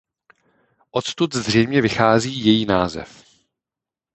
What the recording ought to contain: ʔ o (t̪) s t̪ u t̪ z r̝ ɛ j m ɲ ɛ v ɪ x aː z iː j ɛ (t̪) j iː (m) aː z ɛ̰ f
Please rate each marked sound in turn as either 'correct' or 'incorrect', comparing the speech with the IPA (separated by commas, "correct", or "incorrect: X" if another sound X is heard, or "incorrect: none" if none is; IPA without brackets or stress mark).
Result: correct, incorrect: none, incorrect: n